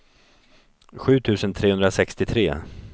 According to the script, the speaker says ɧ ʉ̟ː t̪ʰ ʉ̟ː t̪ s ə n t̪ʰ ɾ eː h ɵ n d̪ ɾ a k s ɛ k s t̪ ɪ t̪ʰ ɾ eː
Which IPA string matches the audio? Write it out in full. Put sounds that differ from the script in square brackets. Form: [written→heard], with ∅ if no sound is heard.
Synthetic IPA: ɧ ʉ̟ː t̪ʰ ʉ̟ː [t̪→∅] s ə n t̪ʰ ɾ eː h ɵ n d̪ ɾ a [k→∅] s ɛ k s t̪ ɪ t̪ʰ ɾ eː